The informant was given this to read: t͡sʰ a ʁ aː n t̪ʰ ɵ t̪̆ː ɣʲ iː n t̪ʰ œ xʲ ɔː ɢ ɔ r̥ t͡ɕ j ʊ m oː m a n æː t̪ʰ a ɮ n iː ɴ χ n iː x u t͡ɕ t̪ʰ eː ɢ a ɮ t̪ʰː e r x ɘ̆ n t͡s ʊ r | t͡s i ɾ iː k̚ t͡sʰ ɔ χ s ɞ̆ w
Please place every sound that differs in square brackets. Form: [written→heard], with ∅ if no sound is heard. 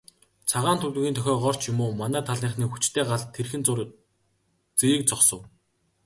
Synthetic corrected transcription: t͡sʰ a ʁ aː n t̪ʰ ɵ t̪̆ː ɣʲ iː n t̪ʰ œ xʲ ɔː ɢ ɔ r̥ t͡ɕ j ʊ m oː m a n æː t̪ʰ a ɮ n iː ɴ χ n iː x u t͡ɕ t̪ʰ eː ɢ a ɮ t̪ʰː e r x ɘ̆ n t͡s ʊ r | t͡s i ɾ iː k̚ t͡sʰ ɔ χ s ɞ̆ w